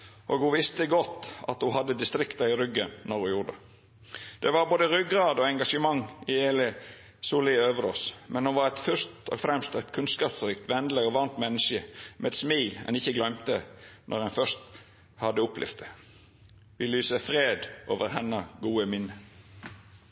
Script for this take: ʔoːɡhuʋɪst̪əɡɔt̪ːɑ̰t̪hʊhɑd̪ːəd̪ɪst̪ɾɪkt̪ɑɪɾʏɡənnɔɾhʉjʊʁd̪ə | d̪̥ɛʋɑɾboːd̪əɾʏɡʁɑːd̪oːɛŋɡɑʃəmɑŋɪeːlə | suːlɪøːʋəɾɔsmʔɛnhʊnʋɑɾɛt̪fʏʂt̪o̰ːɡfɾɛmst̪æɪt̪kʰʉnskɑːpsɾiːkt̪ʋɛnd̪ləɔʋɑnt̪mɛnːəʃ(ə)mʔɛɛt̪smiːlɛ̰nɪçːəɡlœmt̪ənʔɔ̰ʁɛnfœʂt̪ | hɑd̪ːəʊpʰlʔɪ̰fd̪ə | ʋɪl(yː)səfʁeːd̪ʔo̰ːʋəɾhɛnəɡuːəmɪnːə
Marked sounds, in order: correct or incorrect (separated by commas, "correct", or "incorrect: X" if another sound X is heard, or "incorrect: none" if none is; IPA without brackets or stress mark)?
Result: correct, correct